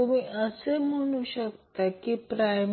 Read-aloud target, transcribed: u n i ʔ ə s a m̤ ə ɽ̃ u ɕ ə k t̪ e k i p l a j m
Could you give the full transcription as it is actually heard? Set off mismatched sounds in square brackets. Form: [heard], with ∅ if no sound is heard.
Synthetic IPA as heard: u [m] i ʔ ə s [e] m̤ ə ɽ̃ u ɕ ə k t̪ [a] k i p [ɾ] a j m